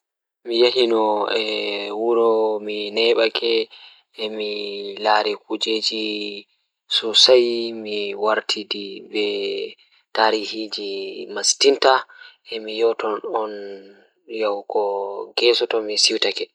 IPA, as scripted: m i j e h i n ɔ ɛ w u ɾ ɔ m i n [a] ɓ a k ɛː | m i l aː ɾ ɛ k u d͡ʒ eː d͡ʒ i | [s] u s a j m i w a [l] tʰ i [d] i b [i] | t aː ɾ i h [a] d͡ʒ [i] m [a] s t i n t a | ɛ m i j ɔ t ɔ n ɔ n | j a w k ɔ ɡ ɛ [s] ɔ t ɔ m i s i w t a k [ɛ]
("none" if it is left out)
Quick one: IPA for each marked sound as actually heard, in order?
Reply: ɛ, s, ɾ, d, ɛ, i, i, a, s, ɛ

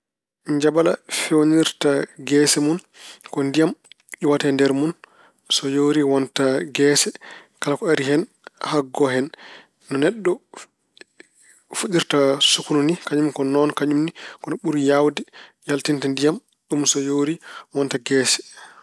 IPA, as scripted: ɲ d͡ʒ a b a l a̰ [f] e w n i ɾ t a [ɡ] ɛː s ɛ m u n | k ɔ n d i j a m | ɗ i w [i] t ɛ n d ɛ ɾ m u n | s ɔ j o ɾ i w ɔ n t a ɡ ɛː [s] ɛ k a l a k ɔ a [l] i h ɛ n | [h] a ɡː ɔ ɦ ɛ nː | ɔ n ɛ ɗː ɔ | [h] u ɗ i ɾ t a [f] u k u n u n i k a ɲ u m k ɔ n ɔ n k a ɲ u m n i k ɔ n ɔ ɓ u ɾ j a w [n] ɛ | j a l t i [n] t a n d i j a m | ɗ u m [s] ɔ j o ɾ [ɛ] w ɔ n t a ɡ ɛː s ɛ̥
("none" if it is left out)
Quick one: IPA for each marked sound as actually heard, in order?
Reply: f, ɡ, a, s, ɾ, h, f, s, d, n, s, i

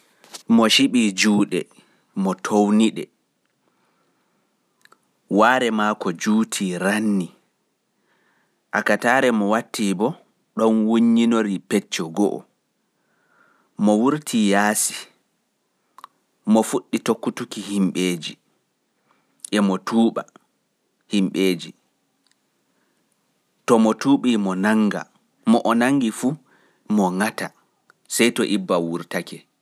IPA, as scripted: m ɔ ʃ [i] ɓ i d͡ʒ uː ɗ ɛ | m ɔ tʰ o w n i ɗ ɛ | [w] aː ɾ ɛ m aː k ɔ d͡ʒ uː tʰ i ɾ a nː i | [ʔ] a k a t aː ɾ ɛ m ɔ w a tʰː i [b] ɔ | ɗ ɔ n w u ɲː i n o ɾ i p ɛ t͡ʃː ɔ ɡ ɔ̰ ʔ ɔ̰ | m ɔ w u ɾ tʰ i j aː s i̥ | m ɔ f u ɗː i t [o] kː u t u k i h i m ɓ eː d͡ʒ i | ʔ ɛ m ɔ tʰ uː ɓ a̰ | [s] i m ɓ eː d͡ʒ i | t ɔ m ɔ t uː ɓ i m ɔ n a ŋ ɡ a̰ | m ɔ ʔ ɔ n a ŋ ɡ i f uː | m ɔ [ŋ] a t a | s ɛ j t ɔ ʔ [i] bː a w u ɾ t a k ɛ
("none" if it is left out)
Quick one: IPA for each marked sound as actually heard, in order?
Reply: i, w, ʔ, b, o, h, ŋ, i

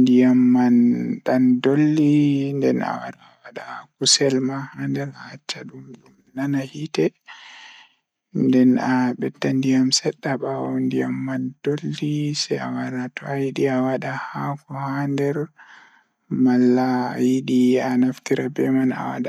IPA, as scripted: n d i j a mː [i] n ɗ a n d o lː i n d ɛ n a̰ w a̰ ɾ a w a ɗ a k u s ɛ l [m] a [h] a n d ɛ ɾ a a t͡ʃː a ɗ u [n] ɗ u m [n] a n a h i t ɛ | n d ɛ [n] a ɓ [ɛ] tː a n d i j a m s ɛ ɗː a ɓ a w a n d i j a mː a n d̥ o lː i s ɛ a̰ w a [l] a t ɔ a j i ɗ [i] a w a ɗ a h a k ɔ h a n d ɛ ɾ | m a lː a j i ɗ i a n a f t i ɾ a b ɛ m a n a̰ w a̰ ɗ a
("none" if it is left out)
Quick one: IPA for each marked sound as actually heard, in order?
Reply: a, m, h, m, n, n, ɛ, ɾ, i

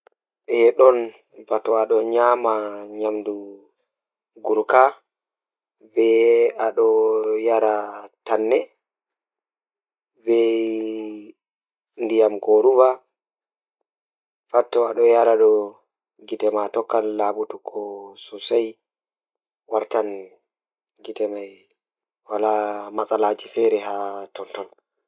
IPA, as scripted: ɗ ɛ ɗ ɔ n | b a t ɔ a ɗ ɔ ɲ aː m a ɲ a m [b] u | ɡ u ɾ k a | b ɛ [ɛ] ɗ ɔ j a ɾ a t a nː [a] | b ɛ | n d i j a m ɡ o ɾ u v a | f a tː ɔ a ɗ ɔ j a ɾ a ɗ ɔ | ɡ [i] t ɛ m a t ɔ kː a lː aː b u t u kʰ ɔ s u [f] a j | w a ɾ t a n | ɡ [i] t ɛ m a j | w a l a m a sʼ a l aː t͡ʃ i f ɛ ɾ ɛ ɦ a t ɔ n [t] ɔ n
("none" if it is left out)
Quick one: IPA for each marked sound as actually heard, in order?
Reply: d, a, ɛ, i, s, i, t

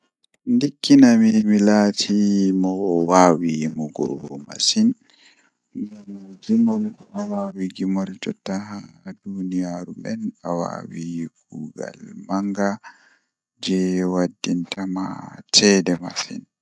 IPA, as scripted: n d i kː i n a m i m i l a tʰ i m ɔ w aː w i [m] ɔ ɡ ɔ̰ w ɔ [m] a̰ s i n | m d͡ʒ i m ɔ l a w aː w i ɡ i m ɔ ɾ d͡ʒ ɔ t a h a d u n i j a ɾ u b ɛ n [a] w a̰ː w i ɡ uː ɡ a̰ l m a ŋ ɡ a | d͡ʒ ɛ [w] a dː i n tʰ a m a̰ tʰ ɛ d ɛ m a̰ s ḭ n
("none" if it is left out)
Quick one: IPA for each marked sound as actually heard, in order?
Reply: m, m, a, w

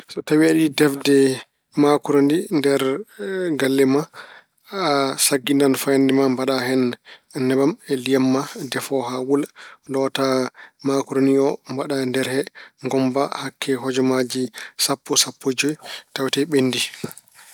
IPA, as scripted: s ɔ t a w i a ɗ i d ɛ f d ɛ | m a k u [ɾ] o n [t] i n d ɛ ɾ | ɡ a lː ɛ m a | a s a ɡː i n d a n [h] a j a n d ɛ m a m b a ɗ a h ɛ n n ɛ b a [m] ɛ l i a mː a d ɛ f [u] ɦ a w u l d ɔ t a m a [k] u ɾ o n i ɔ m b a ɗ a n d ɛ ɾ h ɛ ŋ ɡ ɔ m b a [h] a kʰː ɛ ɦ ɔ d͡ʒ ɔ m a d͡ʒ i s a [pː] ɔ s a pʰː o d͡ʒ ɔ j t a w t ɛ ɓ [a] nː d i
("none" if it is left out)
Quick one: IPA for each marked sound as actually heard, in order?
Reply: ɾ, d, f, m, ɔ, k, h, pː, e

